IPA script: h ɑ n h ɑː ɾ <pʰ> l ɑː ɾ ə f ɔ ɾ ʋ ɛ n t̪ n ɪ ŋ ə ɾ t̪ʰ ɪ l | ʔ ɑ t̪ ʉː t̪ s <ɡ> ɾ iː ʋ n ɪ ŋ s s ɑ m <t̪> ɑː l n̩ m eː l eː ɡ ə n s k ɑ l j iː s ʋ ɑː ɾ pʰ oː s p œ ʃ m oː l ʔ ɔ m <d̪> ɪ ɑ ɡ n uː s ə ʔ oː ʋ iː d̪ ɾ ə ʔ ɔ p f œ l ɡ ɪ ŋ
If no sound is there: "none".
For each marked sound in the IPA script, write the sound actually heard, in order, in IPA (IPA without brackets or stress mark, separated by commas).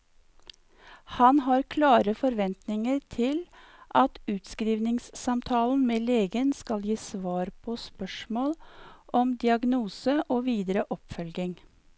kʰ, k, t̪ʰ, d̪